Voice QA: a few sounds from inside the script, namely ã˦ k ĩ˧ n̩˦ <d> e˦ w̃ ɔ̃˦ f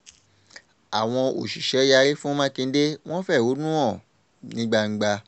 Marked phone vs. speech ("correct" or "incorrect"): correct